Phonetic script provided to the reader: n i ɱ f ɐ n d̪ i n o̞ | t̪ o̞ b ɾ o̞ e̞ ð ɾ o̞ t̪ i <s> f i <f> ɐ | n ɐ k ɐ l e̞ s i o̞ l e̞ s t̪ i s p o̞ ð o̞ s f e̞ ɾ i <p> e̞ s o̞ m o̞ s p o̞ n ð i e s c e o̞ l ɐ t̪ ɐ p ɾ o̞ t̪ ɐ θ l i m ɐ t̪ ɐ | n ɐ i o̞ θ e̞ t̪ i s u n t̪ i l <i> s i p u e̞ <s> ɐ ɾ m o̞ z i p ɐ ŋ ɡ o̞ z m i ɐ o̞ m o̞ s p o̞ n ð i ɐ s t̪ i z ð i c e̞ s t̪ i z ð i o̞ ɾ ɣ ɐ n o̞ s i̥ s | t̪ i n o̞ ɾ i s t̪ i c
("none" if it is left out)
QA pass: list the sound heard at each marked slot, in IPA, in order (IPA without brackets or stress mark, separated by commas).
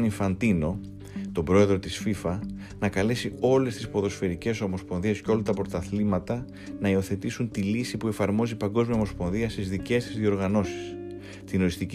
s, f, c, i, f